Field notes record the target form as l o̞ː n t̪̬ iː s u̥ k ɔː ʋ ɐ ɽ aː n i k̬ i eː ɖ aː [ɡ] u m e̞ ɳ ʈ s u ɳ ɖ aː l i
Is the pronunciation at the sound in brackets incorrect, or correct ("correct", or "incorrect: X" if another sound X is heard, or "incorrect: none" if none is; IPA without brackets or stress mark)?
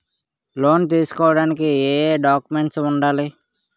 incorrect: k